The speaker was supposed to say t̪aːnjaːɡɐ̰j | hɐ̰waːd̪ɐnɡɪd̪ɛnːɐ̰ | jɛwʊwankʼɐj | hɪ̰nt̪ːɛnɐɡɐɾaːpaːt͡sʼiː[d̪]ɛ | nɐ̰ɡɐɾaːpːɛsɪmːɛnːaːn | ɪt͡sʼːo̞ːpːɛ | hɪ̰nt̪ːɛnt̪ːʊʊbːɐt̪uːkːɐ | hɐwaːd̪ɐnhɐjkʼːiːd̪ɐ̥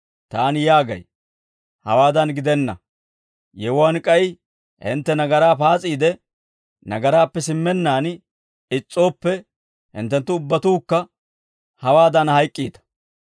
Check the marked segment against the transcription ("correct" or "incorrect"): correct